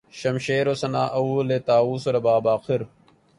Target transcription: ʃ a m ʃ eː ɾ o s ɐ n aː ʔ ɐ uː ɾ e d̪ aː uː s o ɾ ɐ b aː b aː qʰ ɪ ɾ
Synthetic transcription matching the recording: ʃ ɐ m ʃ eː ɾ o s ɐ n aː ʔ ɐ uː l e t̪ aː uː s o ɾ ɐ b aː b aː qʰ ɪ ɾ